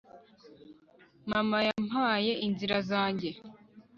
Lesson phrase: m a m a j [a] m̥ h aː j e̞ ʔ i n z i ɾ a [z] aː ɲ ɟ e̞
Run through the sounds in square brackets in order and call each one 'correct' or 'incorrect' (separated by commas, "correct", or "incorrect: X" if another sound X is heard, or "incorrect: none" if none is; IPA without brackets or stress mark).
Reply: correct, correct